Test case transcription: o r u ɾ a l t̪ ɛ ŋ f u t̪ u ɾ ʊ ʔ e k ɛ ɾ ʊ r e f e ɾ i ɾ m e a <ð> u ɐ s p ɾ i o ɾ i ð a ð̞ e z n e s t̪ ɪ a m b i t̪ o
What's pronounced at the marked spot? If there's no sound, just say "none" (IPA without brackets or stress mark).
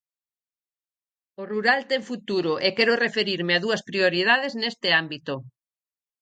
ð